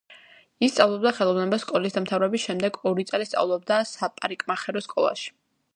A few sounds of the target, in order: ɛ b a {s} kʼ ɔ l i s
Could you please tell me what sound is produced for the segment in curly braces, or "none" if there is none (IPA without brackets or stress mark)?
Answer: s